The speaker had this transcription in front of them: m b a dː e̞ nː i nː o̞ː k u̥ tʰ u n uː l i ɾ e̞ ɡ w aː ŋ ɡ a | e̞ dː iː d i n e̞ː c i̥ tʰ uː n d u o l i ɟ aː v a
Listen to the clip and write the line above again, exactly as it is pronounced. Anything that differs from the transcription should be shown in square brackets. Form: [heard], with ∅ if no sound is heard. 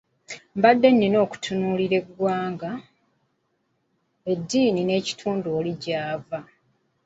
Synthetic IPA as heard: m b a dː e̞ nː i [n] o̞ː k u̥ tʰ u n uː l i ɾ e̞ ɡ w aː ŋ ɡ a | e̞ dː iː [n] i n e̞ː c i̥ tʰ uː n d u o l i ɟ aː v a